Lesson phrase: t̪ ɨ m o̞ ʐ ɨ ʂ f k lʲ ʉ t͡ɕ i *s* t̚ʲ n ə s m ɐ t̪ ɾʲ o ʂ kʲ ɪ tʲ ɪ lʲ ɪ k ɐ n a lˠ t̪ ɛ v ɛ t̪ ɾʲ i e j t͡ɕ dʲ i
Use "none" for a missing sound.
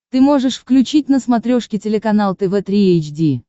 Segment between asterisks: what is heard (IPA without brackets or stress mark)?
none